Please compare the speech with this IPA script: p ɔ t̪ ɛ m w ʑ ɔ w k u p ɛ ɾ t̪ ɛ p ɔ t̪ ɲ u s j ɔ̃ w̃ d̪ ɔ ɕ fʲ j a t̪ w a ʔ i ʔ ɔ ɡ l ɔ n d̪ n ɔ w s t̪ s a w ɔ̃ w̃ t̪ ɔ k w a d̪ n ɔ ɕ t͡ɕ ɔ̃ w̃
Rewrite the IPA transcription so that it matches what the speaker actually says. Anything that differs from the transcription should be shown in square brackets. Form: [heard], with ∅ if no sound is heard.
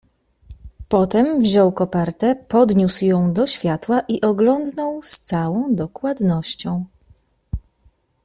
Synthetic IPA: p ɔ t̪ ɛ m [v] ʑ ɔ w k [ɔ] p ɛ ɾ t̪ ɛ p ɔ [d̪] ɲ u s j ɔ̃ w̃ d̪ ɔ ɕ fʲ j a t̪ w a ʔ i ʔ ɔ ɡ l ɔ n d̪ n ɔ w s t̪ s a w ɔ̃ w̃ [d̪] ɔ k w a d̪ n ɔ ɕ t͡ɕ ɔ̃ w̃